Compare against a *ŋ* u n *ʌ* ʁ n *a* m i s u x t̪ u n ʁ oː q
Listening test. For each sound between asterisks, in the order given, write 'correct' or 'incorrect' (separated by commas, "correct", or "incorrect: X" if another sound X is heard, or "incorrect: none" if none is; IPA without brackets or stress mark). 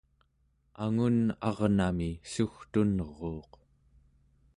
correct, incorrect: ɑ, correct